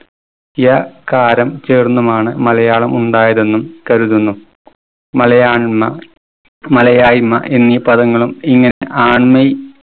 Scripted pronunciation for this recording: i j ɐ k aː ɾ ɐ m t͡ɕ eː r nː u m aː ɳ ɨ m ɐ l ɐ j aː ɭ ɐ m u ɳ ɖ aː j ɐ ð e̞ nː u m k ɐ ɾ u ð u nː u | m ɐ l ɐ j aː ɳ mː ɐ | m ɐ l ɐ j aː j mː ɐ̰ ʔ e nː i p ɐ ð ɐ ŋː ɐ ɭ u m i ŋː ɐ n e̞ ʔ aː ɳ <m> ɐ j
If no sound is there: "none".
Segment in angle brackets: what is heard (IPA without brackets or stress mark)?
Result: m